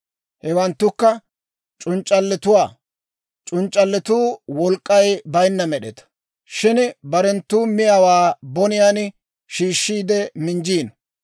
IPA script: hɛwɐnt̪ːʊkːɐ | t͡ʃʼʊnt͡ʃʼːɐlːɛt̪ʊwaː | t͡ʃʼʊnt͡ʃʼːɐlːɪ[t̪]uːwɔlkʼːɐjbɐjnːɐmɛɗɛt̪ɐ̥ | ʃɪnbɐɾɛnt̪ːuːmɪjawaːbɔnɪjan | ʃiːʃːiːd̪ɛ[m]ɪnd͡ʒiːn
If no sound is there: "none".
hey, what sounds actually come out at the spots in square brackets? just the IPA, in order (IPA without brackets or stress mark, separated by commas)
t̪, m